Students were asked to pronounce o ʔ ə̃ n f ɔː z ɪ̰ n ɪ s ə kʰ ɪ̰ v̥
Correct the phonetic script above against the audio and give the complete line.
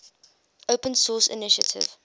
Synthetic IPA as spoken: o p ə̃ n s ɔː s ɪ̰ n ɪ ʃ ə tʰ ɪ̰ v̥

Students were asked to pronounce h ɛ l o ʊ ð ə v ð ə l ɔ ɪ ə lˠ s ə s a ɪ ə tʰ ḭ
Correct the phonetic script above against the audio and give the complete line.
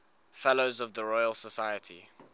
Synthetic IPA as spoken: f ɛ l o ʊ z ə v ð ə ɹ ɔ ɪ ə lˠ s ə s a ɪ ə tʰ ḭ

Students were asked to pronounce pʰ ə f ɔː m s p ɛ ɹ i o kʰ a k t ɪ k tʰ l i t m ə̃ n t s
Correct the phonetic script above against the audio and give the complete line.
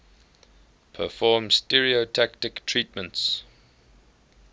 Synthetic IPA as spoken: pʰ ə f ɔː m s t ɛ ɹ i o tʰ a k t ɪ k tʰ ɹ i t m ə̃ n t s

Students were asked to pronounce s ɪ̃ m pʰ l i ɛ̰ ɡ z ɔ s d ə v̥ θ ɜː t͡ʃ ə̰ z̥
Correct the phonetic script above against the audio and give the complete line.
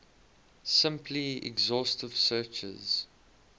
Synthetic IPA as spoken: s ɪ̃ m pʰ l i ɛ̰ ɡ z ɔ s t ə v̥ s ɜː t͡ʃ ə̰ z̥

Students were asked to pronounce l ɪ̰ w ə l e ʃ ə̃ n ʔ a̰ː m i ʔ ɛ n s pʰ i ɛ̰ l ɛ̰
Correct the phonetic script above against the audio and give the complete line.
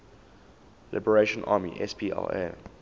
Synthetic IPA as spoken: l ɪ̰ b ə ɹ e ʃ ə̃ n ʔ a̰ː m i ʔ ɛ s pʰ i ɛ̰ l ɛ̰

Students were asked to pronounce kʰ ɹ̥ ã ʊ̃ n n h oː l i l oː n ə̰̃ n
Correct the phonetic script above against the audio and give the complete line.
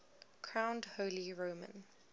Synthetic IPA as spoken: kʰ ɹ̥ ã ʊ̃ n d h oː l i ɹ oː m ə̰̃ n

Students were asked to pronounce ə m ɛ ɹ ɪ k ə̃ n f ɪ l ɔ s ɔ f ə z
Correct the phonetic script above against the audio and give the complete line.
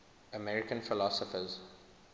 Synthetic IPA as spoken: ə m ɛ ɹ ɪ k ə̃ n f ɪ l ɔ s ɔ f ə z

